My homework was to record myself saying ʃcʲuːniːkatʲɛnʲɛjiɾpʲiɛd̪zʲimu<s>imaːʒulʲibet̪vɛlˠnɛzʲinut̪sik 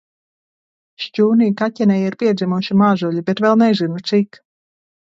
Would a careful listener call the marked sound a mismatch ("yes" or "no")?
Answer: yes